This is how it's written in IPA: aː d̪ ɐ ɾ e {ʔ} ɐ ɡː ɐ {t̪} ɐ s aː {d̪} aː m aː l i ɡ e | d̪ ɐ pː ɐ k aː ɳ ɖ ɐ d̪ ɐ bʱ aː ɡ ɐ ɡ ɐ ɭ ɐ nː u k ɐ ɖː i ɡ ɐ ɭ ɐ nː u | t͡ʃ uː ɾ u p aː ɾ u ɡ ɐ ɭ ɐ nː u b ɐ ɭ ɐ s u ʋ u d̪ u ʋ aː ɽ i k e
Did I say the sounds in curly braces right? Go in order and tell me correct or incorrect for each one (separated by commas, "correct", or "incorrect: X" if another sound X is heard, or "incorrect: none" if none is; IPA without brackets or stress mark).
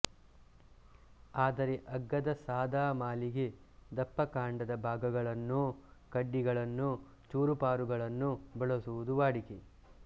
correct, incorrect: d̪, correct